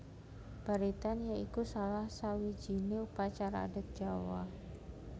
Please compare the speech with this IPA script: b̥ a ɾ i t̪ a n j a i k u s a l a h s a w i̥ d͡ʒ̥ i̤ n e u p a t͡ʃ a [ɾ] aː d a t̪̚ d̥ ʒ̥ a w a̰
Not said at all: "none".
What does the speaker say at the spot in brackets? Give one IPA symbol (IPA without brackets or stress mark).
ɾ